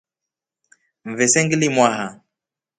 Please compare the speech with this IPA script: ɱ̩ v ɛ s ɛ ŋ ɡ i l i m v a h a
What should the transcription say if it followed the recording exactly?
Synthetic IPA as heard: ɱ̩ v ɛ s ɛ ŋ ɡ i l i m w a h a